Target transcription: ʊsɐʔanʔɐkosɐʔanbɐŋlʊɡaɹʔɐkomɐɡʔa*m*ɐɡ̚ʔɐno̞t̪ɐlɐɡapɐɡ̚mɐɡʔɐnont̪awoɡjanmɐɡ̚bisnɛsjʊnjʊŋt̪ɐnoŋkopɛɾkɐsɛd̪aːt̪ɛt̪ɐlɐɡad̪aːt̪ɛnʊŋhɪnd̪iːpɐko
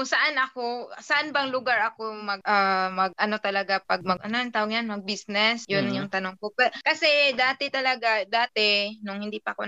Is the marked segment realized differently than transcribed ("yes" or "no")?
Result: no